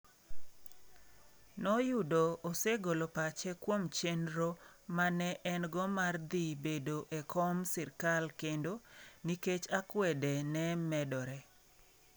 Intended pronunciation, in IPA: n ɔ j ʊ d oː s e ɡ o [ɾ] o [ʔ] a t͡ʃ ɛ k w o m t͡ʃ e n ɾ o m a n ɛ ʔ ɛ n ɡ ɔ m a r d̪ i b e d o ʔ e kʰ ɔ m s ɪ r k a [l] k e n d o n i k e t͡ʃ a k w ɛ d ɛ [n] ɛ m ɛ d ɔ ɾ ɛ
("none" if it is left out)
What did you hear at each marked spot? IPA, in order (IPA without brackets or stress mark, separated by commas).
l, p, l, n